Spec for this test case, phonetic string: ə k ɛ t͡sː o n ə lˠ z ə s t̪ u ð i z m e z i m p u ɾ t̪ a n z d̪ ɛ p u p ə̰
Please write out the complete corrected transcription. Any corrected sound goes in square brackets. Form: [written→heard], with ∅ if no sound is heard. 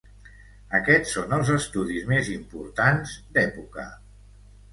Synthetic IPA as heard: ə k ɛ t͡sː o n ə lˠ z ə s t̪ u ð i z m e z i m p u ɾ t̪ a n z d̪ ɛ p u [p→k] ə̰